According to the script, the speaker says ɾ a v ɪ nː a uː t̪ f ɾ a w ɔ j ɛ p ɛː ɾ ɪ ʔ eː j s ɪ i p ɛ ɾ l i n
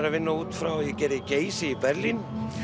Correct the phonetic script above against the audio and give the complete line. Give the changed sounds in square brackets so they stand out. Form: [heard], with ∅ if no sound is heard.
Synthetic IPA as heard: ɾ a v ɪ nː a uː t̪ f ɾ a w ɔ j ɛ [c] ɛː ɾ ɪ [c] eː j s ɪ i p ɛ ɾ l i n